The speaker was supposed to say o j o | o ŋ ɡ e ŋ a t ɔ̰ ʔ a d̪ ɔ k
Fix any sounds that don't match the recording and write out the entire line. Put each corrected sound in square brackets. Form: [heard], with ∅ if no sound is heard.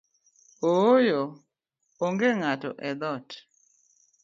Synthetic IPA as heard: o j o | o ŋ ɡ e ŋ a t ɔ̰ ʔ [ɛ] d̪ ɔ [t]

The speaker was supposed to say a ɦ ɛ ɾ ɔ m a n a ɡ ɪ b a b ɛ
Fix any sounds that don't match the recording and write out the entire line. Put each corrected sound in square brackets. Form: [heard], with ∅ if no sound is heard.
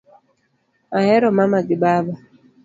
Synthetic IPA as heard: a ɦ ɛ ɾ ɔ m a [m] a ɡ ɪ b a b [a]

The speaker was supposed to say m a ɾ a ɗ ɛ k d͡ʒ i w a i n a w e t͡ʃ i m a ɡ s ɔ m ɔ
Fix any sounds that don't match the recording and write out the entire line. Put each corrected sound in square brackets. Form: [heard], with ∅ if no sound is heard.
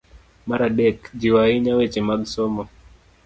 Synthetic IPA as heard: m a ɾ a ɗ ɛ k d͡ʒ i w a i [ɲ] a w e t͡ʃ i m a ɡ s ɔ m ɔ

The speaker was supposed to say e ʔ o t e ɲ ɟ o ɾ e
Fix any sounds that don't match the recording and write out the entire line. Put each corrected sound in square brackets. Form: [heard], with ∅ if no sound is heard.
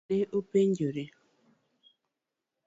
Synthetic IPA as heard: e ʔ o [p] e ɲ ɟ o ɾ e

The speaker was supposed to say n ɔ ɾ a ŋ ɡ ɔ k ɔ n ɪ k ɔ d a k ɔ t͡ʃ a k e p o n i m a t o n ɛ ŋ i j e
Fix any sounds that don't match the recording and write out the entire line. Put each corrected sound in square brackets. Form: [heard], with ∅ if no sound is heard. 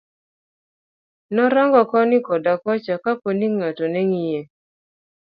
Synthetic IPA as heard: n ɔ ɾ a ŋ ɡ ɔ k ɔ n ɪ k ɔ d a k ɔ t͡ʃ a k [a] p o n i [ŋ] a t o n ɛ ŋ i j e

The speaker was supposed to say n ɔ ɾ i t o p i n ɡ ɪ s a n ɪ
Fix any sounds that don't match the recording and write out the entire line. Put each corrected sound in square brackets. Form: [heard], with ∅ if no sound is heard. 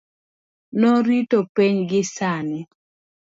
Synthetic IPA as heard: n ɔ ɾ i t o p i [ɲ] ɡ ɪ s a n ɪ

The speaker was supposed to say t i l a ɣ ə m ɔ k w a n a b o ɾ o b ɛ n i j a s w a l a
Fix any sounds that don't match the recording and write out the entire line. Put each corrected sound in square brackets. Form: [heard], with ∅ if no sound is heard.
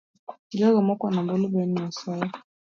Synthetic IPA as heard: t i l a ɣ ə m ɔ k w a n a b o [l] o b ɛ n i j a s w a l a

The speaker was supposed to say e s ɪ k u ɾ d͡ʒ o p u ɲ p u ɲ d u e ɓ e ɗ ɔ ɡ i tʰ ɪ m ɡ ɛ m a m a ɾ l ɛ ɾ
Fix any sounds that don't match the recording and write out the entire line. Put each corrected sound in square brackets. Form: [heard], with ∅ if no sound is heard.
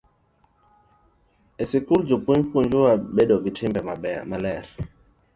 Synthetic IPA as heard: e s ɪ k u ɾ d͡ʒ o p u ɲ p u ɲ [d͡ʒ] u [a] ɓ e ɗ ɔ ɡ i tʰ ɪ m [b] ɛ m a m a [∅] l ɛ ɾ

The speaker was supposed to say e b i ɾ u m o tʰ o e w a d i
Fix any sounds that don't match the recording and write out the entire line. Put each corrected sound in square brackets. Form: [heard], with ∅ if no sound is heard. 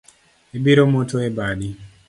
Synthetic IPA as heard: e b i ɾ [o] m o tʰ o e [b] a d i

